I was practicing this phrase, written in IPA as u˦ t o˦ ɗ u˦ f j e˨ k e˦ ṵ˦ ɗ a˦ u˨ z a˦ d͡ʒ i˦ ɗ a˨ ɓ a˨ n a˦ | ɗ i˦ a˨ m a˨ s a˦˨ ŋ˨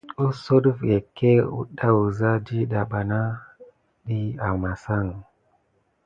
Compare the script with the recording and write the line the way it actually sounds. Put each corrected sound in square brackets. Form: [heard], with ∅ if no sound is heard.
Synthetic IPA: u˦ [s] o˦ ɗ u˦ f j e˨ k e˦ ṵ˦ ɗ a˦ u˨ z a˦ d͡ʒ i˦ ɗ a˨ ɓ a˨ n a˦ | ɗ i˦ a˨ m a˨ s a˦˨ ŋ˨